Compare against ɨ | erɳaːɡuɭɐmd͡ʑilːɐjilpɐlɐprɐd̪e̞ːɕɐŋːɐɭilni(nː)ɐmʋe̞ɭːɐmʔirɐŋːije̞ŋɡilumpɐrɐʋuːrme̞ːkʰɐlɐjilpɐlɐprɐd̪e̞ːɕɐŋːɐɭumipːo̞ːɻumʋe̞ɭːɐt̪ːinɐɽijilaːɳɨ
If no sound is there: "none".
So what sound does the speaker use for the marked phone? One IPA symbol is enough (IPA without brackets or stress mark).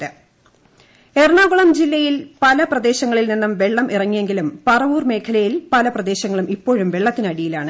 nː